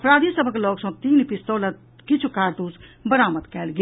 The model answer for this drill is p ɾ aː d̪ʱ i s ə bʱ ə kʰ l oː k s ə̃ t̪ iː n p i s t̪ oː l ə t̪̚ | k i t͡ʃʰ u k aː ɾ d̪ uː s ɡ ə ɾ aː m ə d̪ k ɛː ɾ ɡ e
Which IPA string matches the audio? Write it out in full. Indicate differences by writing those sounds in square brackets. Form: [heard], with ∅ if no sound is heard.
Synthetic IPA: p ɾ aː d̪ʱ i s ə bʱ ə [k] l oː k s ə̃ t̪ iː n p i s t̪ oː l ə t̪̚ | k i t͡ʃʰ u k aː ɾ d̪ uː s [b] ə ɾ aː m ə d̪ k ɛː [l] ɡ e